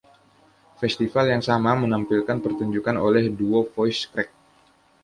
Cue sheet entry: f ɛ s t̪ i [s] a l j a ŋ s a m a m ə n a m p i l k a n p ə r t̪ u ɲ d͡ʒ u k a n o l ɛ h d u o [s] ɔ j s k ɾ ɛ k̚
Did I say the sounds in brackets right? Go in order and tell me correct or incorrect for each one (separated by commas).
incorrect, incorrect